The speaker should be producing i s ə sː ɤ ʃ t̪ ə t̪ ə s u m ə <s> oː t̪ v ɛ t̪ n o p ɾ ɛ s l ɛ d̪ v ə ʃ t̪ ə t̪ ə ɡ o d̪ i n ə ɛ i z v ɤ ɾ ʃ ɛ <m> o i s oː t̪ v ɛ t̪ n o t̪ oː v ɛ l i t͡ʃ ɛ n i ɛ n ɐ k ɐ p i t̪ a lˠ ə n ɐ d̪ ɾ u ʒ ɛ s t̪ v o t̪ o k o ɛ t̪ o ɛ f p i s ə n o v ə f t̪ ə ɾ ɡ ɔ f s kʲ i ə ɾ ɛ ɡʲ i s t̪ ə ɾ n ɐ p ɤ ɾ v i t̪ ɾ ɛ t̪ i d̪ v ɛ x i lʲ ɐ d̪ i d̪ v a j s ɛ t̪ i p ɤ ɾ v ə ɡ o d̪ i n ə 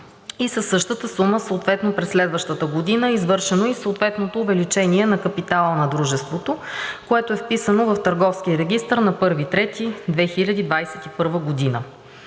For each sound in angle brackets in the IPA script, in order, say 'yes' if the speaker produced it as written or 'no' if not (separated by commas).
yes, no